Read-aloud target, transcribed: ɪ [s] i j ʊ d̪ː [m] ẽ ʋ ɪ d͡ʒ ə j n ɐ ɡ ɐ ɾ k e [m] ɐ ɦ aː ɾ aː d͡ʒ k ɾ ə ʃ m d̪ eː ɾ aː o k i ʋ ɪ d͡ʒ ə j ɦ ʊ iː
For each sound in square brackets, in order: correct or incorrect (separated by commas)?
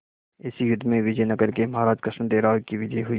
correct, correct, correct